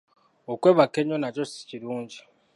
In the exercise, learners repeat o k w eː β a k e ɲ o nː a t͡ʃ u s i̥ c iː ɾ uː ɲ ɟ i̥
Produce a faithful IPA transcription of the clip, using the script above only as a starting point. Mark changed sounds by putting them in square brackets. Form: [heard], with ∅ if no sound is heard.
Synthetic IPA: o k w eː β a k e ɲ o [n] a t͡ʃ [o] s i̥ c [i] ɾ uː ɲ ɟ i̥